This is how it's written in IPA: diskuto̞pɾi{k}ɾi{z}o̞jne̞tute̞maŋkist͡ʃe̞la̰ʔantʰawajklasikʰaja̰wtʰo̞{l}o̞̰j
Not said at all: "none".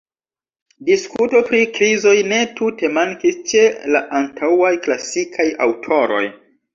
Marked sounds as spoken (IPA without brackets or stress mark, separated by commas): k, z, ɾ